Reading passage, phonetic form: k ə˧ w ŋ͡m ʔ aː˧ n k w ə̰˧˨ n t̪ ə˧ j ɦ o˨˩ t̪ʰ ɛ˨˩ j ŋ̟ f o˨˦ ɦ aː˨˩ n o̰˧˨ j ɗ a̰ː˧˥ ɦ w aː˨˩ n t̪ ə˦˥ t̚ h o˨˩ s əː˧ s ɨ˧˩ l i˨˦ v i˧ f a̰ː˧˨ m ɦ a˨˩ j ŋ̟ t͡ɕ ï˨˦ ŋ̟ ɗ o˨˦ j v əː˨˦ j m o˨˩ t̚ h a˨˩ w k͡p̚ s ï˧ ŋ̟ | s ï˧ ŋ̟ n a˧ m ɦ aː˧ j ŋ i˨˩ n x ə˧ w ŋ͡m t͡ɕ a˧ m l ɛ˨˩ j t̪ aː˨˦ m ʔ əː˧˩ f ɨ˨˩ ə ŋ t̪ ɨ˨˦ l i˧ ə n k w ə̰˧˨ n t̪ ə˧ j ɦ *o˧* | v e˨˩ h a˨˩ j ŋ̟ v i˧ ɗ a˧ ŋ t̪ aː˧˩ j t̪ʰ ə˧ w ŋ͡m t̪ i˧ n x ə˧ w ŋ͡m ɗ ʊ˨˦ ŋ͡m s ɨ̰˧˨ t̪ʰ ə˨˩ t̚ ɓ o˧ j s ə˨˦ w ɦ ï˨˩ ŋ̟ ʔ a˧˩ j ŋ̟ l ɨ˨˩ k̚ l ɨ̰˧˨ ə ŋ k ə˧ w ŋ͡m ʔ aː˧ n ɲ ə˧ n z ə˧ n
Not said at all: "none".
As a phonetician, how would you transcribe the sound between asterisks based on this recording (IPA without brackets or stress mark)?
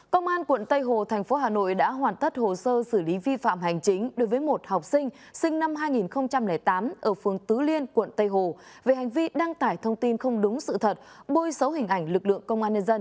o˨˩